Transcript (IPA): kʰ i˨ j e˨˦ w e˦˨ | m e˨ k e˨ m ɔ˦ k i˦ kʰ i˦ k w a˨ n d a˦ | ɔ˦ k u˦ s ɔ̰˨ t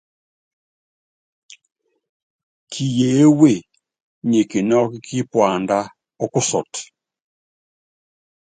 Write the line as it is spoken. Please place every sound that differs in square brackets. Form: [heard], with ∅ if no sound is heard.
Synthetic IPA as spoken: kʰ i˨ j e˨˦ w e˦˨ | [ɲ] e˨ k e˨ [n] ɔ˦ k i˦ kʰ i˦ [p] w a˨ n d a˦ | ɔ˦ k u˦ s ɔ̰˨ t